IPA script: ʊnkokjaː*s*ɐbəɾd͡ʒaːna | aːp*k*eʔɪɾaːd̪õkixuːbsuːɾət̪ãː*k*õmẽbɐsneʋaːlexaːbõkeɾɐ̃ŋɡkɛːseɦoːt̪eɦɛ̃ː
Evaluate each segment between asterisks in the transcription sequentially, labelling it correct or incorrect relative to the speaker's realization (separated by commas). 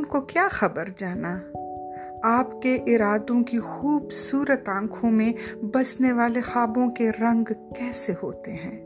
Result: incorrect, correct, incorrect